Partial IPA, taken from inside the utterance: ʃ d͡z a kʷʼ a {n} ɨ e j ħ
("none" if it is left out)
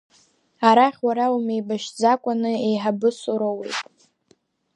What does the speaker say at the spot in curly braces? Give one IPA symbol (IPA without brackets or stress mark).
n